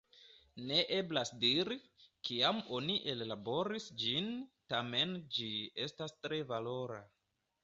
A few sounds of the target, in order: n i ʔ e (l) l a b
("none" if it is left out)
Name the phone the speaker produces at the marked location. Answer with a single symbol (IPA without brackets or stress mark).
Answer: l